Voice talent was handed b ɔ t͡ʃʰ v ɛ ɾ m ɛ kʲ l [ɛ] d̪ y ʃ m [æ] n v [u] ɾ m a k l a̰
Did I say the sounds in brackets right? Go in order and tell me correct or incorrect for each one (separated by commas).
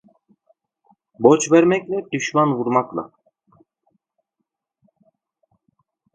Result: correct, incorrect, correct